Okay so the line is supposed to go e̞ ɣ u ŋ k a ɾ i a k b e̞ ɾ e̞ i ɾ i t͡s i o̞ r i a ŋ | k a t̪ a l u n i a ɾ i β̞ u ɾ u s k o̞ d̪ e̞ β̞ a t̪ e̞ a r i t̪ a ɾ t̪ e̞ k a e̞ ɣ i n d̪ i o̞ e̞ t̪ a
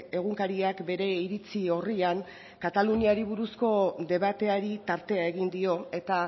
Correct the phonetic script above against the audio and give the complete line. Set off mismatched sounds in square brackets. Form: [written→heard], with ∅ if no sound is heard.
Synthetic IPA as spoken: e̞ ɣ u ŋ k a ɾ i a k b e̞ ɾ e̞ i ɾ i t͡s i o̞ r i a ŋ | k a t̪ a l u n i a ɾ i β̞ u ɾ u s k o̞ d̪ e̞ β̞ a t̪ e̞ a [r→ɾ] i t̪ a ɾ t̪ e̞ [k→∅] a e̞ ɣ i n d̪ i o̞ e̞ t̪ a